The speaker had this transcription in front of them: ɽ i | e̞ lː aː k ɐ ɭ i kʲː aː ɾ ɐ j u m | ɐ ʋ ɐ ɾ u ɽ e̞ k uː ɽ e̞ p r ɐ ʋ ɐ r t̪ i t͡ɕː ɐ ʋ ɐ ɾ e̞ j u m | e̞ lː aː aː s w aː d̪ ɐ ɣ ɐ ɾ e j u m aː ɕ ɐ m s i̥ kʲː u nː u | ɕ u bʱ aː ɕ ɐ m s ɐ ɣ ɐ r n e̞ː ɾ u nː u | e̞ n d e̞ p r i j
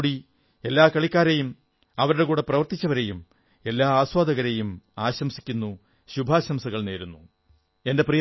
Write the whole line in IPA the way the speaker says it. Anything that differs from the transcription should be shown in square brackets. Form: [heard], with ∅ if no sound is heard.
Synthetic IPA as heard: ɽ i | e̞ lː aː k ɐ ɭ i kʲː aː ɾ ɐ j u m | ɐ ʋ ɐ ɾ u ɽ e̞ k uː ɽ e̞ p r ɐ ʋ ɐ r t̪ i t͡ɕː ɐ ʋ ɐ ɾ e̞ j u m | e̞ lː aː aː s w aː d̪ ɐ ɣ ɐ ɾ e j u m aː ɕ ɐ m s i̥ kʲː u nː u | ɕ u bʱ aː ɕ ɐ m s ɐ ɣ ɐ [ɭ] n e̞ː ɾ u nː u | e̞ n d e̞ p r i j